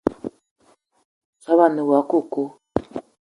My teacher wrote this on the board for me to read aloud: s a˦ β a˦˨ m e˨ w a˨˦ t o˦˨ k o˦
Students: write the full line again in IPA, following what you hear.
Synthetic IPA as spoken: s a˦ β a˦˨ n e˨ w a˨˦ k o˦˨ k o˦